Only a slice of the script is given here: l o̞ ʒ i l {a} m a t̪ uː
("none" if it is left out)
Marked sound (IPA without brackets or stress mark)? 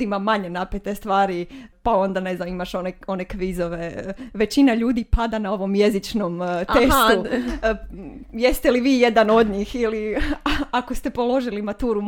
i